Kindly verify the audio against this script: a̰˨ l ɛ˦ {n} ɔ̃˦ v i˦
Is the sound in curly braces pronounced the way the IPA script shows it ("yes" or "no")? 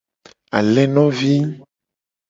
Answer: yes